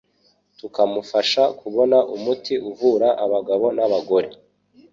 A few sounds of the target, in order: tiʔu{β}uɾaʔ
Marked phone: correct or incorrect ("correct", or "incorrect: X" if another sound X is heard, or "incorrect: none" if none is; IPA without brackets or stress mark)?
incorrect: v